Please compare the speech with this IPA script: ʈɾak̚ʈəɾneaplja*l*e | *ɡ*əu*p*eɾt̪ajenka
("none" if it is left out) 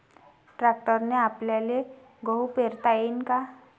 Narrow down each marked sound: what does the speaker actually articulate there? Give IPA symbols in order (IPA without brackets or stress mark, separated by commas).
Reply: l, ɡ, p